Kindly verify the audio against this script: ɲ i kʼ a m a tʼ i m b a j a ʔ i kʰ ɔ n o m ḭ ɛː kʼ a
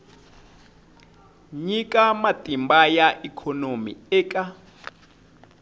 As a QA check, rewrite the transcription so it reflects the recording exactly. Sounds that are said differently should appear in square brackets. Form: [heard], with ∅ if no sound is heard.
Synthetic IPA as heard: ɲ i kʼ a m a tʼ i m b a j a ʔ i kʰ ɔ n o m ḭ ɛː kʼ a